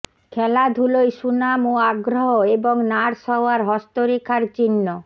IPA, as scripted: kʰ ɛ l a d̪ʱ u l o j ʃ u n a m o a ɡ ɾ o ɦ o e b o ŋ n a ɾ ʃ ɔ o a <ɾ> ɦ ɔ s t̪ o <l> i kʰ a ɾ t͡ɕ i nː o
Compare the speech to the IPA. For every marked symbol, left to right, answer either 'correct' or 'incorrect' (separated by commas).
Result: correct, incorrect